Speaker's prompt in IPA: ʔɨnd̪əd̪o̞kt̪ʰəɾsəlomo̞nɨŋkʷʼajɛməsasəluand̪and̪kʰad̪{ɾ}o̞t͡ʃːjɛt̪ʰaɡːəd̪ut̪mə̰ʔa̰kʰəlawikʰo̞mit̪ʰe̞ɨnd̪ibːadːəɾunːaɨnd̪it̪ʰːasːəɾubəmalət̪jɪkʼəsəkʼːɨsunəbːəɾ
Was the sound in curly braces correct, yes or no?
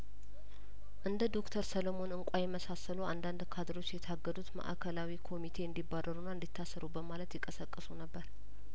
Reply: yes